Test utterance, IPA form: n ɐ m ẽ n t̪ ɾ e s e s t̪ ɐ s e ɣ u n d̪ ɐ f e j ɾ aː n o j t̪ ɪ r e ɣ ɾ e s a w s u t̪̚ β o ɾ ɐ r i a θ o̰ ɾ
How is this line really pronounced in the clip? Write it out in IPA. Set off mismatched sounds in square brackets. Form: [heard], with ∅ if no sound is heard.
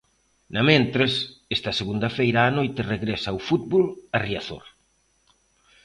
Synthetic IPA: n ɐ m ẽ n t̪ ɾ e s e s t̪ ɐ s e ɣ u n d̪ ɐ f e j ɾ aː n o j t̪ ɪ r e ɣ ɾ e s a w [f] u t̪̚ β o [l] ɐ r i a θ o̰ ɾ

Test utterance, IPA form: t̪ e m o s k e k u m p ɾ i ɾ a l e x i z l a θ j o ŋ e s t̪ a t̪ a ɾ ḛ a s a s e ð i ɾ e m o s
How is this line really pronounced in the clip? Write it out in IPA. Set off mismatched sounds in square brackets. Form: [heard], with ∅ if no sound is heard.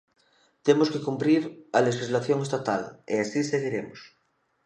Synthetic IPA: t̪ e m o s k e k u m p ɾ i ɾ a l e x i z l a θ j o ŋ e s t̪ a t̪ a [l] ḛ a s [i] s e [ɣ] i ɾ e m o s

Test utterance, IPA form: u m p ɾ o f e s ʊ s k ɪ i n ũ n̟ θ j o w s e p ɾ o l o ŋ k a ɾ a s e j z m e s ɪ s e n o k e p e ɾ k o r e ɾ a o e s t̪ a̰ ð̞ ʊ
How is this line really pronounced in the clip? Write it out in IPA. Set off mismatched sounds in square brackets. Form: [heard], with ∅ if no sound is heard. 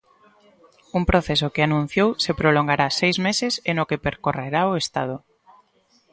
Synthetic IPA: u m p ɾ o [θ] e s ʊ [∅] k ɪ [a] n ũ n̟ θ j o w s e p ɾ o l o ŋ [ɡ] a ɾ a s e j z m e s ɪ s e n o k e p e ɾ k o r e ɾ a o e s t̪ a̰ ð̞ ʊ

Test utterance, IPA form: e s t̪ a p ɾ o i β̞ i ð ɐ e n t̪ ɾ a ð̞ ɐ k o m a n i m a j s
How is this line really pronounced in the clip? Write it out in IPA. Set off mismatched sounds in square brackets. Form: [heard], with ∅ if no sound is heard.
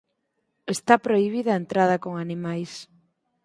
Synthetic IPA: e s t̪ a p ɾ o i β̞ i ð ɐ e n t̪ ɾ a ð̞ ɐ k o [ŋ] a n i m a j s

